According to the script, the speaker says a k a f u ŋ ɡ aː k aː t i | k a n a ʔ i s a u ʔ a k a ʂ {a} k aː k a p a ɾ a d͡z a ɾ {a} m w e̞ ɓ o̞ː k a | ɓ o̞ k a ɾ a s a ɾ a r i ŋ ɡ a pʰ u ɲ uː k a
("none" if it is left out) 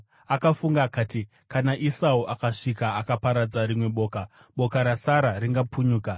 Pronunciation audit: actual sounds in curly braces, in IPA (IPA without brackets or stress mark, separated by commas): i, i